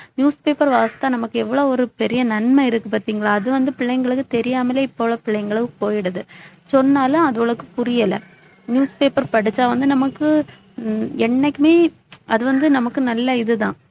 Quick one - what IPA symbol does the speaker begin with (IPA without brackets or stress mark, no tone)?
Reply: n